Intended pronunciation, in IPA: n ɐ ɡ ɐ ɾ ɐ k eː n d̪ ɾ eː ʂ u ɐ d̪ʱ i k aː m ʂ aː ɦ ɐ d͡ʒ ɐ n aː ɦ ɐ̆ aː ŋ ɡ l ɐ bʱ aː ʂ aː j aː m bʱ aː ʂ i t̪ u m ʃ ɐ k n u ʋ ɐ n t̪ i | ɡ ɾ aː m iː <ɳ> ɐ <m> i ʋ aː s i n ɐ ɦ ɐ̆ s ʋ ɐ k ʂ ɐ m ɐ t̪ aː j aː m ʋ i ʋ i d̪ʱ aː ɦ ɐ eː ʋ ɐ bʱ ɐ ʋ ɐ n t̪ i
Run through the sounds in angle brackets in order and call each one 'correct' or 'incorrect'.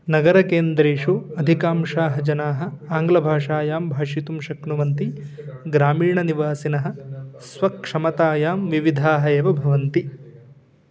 correct, incorrect: n

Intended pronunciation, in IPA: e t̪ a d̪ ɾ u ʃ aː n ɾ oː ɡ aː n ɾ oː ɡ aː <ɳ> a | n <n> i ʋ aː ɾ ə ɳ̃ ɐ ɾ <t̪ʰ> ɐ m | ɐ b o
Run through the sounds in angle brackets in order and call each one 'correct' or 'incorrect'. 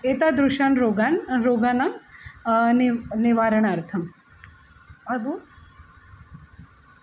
incorrect: n, correct, correct

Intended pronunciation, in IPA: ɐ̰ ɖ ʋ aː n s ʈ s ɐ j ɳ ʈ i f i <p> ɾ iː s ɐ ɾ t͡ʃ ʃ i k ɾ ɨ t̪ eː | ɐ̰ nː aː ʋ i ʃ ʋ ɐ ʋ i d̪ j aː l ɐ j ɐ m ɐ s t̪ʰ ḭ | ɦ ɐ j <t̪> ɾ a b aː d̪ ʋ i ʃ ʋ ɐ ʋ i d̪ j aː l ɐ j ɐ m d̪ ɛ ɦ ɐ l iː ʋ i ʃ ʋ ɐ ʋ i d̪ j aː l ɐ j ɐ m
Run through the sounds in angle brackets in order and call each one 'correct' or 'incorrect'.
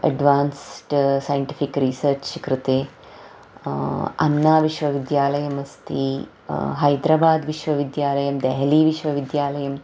incorrect: k, incorrect: d̪

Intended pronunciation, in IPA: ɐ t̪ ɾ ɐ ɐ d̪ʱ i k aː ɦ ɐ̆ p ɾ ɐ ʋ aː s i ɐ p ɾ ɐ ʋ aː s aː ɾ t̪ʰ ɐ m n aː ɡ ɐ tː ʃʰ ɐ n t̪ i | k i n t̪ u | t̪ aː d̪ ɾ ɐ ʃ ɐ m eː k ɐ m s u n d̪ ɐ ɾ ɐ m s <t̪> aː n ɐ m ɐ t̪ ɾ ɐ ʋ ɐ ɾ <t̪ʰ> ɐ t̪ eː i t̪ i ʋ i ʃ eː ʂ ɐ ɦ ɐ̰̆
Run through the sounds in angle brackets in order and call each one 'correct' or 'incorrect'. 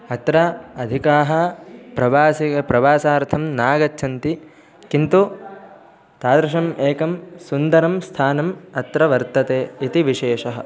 incorrect: t̪ʰ, incorrect: t̪

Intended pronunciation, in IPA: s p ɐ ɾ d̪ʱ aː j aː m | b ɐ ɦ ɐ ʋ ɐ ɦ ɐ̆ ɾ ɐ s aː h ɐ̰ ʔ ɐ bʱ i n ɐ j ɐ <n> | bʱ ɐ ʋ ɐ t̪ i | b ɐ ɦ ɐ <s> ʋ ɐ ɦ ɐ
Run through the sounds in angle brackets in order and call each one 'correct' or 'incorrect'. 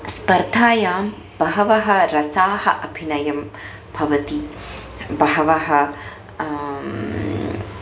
incorrect: m, incorrect: none

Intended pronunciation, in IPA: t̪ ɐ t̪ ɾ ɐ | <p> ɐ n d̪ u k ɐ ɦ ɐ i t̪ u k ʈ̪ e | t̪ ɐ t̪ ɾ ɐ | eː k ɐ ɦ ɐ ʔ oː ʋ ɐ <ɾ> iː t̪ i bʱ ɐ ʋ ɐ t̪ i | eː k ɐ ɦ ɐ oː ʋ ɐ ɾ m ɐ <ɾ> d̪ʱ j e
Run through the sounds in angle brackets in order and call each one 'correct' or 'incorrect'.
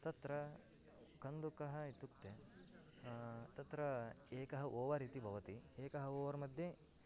incorrect: k, correct, incorrect: none

